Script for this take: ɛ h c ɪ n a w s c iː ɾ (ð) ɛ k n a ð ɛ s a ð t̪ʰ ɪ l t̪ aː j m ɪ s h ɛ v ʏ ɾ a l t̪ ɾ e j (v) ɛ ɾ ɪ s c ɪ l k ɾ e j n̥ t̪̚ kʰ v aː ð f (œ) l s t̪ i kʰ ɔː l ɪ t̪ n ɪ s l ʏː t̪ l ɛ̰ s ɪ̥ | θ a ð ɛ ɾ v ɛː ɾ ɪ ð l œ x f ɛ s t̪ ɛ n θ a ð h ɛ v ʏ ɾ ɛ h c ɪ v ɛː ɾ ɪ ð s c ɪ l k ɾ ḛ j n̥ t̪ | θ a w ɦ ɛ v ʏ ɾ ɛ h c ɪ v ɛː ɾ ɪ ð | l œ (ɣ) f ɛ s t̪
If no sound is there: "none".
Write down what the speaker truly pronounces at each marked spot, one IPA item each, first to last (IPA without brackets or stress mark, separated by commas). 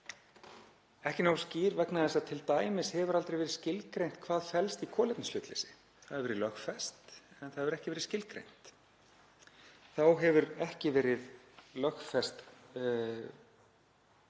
v, v, ɛ, x